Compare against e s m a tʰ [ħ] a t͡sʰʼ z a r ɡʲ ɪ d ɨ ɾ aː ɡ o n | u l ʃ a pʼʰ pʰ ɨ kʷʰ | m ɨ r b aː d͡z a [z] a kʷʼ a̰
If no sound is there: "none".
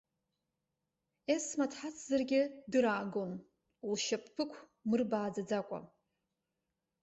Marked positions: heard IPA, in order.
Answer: ħ, d͡z

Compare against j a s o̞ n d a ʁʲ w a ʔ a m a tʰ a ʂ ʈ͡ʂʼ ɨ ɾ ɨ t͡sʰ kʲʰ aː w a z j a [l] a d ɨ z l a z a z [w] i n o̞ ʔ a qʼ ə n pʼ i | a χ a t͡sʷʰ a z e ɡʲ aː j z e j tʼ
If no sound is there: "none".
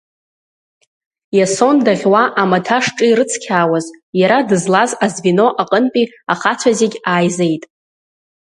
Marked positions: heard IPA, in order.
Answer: ɾ, v

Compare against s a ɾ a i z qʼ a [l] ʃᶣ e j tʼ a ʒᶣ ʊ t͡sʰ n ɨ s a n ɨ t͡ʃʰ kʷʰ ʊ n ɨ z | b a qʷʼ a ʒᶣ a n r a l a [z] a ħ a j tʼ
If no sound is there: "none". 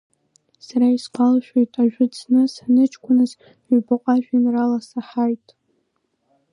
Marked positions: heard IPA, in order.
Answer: l, s

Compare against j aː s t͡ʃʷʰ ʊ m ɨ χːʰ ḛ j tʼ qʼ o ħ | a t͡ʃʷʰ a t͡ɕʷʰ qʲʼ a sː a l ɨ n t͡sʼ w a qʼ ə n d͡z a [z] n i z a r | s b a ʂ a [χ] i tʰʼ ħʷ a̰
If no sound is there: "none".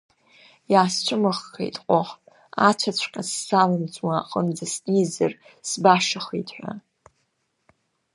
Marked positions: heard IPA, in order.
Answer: s, χ

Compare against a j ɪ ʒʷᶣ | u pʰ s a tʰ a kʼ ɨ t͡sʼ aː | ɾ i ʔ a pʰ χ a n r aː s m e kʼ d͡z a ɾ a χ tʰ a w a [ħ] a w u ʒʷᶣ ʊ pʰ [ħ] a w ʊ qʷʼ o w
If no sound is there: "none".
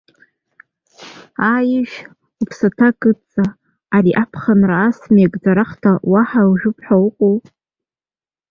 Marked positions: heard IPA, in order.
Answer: ħ, ħ

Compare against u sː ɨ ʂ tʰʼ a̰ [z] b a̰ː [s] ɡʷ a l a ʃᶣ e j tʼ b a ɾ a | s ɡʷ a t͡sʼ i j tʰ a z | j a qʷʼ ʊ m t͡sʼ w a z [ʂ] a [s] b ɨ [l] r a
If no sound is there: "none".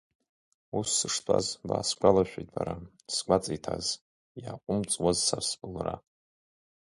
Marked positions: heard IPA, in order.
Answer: z, s, s, s, l

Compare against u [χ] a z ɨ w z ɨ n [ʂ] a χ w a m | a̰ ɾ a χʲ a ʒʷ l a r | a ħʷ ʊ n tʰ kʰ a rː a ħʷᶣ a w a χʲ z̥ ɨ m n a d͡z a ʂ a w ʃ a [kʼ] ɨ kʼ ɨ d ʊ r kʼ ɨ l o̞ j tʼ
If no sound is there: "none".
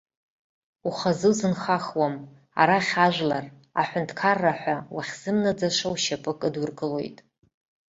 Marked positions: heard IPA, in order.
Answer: χ, χ, pʼ

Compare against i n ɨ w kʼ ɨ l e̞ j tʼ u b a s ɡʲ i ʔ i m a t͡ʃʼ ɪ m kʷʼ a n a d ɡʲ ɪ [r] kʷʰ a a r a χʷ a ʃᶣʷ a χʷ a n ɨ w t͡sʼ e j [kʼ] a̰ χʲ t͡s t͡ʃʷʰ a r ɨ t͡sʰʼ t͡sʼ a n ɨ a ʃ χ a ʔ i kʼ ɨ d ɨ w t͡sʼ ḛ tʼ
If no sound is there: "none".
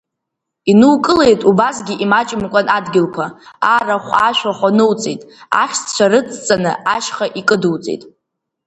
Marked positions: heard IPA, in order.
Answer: l, tʼ

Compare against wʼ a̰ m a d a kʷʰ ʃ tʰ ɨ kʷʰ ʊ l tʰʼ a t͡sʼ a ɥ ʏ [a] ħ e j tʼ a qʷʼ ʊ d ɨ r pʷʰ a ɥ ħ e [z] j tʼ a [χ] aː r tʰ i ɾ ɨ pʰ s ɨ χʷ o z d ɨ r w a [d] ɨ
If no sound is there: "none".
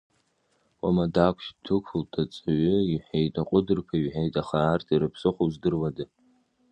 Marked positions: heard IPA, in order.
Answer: i, none, χ, d

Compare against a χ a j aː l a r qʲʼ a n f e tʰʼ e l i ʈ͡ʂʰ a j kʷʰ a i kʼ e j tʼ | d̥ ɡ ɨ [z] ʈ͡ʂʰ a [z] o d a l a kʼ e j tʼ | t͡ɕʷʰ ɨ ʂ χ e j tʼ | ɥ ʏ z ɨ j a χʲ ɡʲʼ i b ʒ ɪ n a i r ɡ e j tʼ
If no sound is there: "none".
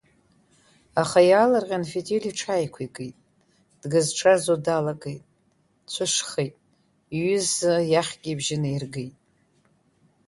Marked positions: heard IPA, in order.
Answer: z, z

